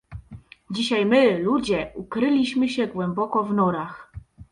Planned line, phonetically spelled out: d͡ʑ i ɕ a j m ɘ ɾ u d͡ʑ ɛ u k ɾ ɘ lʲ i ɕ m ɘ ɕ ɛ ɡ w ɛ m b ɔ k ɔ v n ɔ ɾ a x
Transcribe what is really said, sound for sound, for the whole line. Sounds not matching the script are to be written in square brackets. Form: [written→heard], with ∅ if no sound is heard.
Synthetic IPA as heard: d͡ʑ i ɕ a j m ɘ [ɾ→l] u d͡ʑ ɛ u k ɾ ɘ lʲ i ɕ m ɘ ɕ ɛ ɡ w ɛ m b ɔ k ɔ v n ɔ ɾ a x